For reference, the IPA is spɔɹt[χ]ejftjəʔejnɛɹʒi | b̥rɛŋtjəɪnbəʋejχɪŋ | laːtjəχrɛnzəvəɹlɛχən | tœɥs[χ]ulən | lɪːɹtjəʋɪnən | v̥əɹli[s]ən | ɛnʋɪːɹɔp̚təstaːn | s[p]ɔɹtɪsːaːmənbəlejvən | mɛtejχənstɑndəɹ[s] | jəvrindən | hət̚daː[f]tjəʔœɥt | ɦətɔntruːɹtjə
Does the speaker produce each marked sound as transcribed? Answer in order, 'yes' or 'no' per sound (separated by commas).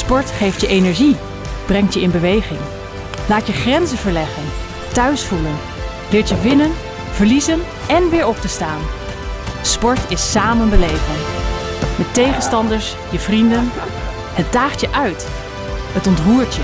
yes, no, no, yes, yes, no